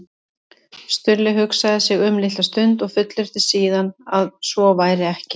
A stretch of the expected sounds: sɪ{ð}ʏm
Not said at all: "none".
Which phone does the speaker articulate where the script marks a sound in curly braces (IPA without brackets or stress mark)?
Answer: ɣ